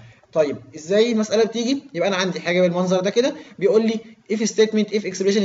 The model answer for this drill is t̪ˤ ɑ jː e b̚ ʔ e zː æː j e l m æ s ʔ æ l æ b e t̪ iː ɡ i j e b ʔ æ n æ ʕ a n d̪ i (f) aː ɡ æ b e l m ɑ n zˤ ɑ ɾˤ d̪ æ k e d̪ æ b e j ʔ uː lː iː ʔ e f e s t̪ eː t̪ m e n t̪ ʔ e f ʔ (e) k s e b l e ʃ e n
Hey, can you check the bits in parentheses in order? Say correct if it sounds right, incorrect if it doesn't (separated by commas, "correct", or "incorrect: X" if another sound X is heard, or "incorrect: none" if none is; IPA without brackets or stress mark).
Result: incorrect: ħ, correct